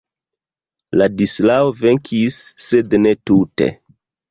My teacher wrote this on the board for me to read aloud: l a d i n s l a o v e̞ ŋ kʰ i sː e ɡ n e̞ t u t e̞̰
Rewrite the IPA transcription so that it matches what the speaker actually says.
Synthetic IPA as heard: l a d i s l a o v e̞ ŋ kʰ i sː e d n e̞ t u t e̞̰